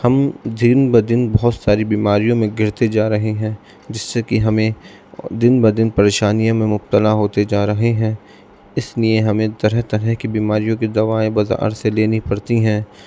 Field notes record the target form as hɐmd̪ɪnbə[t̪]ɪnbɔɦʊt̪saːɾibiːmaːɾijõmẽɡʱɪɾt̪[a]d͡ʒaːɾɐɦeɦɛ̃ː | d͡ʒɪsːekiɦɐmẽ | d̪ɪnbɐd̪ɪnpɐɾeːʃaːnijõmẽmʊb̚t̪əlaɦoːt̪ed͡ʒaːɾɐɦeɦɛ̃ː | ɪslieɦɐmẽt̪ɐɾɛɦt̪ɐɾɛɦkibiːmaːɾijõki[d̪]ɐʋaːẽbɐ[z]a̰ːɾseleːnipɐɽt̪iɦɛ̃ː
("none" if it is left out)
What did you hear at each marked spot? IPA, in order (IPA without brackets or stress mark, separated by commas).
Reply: d̪, e, d̪, z